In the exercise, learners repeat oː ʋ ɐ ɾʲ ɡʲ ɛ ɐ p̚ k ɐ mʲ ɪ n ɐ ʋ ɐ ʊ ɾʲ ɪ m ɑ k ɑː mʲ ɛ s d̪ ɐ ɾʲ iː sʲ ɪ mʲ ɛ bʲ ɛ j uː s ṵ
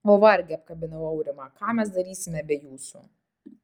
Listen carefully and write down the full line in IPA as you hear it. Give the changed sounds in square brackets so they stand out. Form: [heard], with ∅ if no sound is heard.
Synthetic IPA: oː ʋ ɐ ɾʲ ɡʲ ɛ ɐ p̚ k ɐ [bʲ] ɪ n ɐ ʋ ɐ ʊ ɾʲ ɪ m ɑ k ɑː mʲ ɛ s d̪ ɐ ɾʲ iː sʲ ɪ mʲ ɛ bʲ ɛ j uː s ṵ